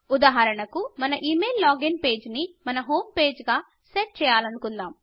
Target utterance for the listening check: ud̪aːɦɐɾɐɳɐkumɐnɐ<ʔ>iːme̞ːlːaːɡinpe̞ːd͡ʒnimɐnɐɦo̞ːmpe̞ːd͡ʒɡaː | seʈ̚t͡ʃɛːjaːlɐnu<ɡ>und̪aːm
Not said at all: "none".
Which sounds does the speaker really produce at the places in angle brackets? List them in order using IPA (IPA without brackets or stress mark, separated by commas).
ʔ, k